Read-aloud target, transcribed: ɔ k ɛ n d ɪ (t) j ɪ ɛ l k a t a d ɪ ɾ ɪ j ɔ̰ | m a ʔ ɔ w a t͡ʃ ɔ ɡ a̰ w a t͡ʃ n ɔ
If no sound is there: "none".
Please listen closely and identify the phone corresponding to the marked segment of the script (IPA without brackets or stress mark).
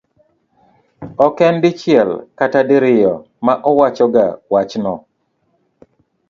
t͡ʃ